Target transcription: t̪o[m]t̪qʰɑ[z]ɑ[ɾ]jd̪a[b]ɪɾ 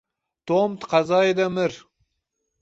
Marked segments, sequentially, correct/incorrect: correct, correct, incorrect: none, incorrect: m

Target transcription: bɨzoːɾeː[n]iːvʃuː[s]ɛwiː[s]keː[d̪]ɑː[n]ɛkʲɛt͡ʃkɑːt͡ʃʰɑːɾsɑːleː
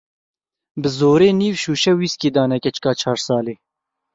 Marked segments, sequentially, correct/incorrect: correct, incorrect: ʃ, correct, correct, correct

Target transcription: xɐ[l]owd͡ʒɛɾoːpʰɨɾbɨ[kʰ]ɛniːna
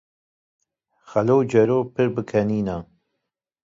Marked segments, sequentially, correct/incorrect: correct, correct

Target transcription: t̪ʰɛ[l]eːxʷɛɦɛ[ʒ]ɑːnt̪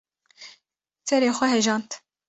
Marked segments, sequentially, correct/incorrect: incorrect: ɾ, correct

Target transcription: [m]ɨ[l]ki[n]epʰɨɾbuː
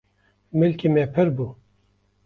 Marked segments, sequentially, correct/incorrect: correct, correct, incorrect: m

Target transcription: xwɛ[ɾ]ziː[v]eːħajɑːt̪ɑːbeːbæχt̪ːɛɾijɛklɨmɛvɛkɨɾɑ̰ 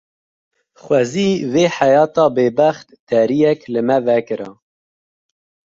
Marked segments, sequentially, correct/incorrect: incorrect: none, correct

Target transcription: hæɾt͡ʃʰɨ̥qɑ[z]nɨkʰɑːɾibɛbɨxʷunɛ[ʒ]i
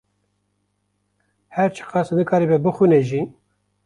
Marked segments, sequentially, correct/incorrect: incorrect: s, correct

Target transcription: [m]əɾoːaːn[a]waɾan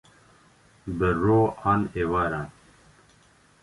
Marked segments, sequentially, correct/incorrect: incorrect: b, incorrect: e

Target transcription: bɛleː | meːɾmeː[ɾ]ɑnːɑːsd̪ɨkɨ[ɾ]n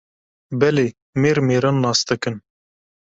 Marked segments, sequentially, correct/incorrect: correct, incorrect: none

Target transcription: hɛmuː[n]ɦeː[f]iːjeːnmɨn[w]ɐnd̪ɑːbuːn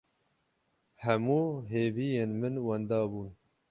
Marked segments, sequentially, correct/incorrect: incorrect: none, incorrect: v, correct

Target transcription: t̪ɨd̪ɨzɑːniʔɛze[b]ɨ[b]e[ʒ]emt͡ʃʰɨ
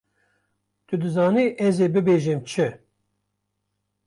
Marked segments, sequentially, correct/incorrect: correct, correct, correct

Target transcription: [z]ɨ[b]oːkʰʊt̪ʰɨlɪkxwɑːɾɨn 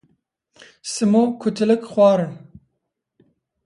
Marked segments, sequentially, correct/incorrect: incorrect: s, incorrect: m

